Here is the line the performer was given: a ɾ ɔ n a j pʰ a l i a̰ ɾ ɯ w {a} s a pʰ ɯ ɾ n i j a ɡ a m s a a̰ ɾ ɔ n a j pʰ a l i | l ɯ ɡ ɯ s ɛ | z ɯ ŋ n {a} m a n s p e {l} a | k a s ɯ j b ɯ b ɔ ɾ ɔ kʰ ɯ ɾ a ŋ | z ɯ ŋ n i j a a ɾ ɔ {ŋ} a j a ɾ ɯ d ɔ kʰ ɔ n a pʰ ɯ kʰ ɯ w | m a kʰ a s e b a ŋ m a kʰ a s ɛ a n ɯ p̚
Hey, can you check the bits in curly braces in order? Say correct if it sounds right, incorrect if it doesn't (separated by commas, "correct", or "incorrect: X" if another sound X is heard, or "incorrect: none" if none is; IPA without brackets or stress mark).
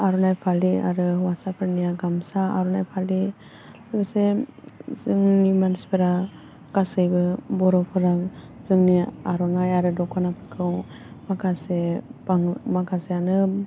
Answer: correct, incorrect: i, incorrect: ɾ, incorrect: n